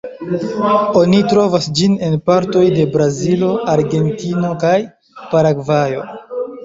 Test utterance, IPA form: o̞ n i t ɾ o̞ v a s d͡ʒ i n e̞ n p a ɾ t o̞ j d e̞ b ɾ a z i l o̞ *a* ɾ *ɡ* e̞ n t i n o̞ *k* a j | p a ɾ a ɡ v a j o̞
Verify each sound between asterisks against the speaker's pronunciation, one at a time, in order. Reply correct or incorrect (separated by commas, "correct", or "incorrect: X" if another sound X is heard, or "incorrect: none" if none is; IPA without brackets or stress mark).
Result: correct, correct, correct